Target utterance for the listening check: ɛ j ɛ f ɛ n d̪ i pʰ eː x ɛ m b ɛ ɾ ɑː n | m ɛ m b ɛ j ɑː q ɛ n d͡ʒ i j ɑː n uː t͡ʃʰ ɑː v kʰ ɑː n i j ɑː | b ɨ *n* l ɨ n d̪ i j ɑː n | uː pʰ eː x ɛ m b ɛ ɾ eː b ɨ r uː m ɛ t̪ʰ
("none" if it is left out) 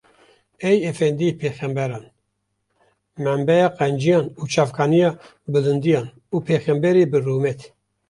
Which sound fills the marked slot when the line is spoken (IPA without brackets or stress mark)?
none